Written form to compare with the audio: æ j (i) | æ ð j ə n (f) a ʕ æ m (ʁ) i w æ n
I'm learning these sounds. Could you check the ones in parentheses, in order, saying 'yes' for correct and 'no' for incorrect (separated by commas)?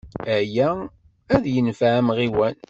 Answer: no, yes, yes